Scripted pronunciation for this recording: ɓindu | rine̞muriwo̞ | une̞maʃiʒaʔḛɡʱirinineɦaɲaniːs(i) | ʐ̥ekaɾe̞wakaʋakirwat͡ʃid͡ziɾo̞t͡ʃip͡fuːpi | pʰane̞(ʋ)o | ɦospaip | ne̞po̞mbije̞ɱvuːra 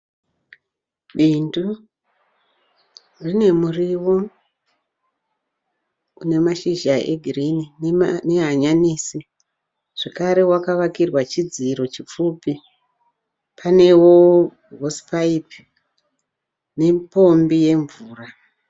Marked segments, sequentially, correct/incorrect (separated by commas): correct, incorrect